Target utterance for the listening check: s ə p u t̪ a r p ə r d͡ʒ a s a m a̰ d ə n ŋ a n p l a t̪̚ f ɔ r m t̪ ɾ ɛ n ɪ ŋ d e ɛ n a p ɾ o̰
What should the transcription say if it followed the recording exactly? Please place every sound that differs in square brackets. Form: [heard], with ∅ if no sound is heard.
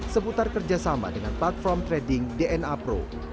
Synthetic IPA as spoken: s ə p u t̪ a r [k] ə r d͡ʒ a s a m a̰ d ə [∅] ŋ a n p l a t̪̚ f ɔ r m t̪ ɾ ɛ [d] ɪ ŋ d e ɛ n a p ɾ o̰